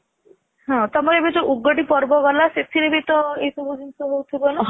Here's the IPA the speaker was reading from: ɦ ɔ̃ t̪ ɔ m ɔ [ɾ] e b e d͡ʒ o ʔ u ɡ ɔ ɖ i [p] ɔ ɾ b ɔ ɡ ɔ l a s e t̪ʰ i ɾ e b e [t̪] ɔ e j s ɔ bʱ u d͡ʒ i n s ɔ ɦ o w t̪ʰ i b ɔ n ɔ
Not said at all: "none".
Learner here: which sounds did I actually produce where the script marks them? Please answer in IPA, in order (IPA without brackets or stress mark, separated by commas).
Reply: ɾ, p, t̪